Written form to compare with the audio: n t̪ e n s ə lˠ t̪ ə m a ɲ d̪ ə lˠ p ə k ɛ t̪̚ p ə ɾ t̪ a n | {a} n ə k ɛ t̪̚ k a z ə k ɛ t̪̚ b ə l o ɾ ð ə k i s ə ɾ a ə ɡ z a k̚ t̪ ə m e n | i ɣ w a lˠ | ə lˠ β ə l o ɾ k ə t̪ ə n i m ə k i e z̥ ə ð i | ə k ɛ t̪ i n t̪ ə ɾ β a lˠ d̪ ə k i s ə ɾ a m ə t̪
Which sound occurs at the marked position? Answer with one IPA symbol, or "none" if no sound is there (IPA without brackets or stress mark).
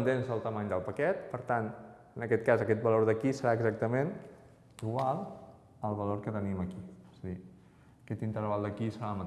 ə